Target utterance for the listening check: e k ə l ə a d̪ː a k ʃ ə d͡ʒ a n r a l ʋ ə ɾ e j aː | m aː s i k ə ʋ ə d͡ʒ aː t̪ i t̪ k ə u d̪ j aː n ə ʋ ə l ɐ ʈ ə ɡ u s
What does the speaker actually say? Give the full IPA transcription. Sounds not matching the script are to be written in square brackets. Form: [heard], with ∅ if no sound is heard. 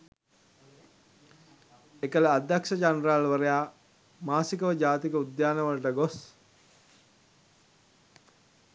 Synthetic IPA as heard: e k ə l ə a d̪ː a k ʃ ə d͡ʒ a n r a l ʋ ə ɾ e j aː | m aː s i k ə ʋ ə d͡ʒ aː t̪ i [∅] k ə u d̪ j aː n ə ʋ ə l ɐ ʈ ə ɡ [o] s